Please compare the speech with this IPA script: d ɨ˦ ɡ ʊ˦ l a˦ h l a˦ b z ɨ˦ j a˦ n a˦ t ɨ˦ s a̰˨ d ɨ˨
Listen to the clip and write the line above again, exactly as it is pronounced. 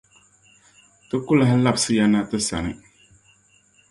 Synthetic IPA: t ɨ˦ k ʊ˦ l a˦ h l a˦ b s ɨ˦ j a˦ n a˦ t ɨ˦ s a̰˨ n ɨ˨